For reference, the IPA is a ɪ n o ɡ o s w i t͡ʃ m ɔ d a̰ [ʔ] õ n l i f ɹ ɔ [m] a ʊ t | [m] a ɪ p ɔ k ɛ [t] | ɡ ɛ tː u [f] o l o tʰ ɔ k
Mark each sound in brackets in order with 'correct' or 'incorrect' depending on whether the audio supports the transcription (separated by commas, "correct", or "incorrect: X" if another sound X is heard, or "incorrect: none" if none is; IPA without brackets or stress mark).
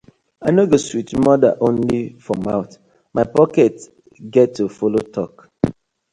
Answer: correct, correct, correct, correct, correct